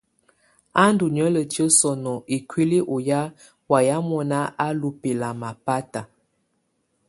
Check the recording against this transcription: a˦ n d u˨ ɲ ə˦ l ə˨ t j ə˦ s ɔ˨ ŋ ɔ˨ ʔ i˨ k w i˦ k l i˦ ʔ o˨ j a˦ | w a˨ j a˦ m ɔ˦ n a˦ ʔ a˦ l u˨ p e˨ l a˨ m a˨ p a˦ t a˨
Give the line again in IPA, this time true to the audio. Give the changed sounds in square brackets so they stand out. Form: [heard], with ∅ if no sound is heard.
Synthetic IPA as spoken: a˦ n d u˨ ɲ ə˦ l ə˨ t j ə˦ s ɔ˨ [n] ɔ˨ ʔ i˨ k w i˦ [∅] l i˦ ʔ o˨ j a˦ | w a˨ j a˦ m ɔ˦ n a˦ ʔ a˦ l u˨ p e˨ l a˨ m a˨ p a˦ t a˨